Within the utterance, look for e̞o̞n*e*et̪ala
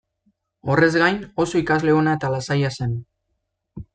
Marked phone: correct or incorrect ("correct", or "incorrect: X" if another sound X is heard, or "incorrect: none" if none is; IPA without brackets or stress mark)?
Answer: incorrect: a